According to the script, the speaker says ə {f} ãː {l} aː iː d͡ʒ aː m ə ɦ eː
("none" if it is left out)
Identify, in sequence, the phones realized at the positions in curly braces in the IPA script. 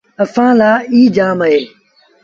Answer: f, l

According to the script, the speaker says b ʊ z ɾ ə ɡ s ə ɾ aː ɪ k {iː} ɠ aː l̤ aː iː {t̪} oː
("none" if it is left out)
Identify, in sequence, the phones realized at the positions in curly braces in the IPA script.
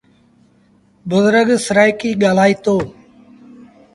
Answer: iː, t̪

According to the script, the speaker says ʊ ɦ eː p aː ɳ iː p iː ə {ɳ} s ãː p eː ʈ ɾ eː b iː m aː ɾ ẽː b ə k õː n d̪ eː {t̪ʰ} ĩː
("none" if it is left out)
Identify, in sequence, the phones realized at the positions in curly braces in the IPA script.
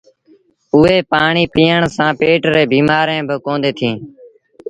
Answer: ɳ, t̪ʰ

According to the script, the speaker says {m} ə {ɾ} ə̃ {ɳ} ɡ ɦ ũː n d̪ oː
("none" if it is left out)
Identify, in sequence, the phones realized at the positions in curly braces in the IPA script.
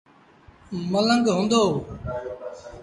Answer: m, l, ŋ

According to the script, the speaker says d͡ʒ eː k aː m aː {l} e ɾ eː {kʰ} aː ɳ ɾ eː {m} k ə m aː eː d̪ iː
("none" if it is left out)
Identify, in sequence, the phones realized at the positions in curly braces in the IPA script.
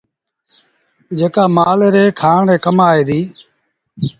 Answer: l, kʰ, none

